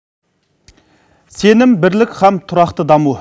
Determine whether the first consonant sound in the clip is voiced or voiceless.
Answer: voiceless